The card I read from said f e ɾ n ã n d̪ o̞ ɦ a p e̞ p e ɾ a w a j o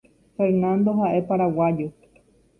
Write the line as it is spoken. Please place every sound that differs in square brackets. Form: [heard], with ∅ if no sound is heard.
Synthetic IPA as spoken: f e ɾ n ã n d̪ o̞ ɦ a [ʔ] e̞ p [a] ɾ a w a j o